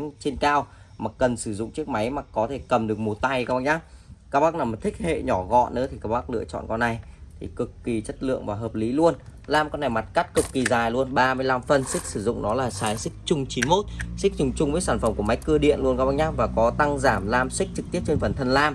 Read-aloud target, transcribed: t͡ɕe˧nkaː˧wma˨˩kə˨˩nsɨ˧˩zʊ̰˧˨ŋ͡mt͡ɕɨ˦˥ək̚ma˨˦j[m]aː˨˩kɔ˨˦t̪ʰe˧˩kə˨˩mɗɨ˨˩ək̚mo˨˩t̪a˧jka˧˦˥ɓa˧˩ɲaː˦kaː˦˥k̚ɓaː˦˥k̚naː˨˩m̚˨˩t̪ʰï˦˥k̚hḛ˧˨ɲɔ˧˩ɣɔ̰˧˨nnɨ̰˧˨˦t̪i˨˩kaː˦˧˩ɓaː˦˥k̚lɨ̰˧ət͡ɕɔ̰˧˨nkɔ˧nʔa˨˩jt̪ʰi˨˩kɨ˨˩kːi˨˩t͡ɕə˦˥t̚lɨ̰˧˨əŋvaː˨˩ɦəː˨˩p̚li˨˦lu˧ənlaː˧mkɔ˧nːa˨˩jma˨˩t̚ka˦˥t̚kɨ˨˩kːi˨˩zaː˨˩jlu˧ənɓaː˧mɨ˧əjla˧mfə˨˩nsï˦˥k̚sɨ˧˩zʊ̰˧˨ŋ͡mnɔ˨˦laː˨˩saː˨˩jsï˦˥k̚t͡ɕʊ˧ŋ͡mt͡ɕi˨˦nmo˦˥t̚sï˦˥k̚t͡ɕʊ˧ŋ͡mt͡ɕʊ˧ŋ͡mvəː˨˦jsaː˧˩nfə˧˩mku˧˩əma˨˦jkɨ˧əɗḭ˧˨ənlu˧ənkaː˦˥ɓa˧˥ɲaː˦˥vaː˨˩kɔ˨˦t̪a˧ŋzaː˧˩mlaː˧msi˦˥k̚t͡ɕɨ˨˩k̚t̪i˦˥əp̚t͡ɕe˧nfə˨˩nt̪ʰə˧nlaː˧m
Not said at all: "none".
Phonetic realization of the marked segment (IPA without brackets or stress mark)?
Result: m